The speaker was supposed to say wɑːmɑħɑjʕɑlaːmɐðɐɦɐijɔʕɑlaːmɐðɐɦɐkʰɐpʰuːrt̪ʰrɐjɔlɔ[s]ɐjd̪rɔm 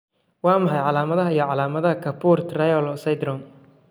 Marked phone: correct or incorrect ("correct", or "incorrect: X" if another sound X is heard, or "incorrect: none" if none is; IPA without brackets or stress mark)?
correct